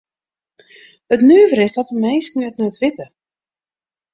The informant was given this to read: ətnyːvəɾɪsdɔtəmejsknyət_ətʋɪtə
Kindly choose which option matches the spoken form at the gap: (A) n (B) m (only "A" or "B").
A